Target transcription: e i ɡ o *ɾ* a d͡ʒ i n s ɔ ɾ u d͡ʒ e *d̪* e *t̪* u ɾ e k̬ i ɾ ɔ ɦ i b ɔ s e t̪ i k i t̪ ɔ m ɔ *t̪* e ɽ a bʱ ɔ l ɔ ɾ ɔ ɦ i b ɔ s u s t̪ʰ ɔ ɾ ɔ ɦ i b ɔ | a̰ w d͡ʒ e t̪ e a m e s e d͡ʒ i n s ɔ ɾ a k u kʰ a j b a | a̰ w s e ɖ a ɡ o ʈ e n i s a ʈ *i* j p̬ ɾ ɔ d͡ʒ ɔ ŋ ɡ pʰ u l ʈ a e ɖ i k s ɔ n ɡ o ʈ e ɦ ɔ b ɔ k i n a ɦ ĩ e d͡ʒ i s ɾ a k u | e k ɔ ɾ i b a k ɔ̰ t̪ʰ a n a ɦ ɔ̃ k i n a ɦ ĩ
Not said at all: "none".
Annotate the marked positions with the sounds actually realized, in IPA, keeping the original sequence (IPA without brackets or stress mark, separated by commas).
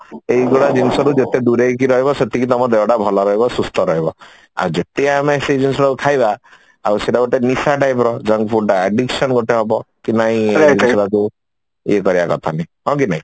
ɽ, t̪, d̪, d̪, a